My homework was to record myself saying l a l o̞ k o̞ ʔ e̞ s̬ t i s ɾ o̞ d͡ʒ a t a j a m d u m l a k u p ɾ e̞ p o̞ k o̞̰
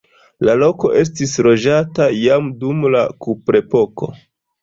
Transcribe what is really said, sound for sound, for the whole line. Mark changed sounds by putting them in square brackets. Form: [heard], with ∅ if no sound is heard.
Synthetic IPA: l a l o̞ k o̞ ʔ e̞ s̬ t i s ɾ o̞ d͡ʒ a t a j a m d u m l a k u p ɾ e̞ p o̞ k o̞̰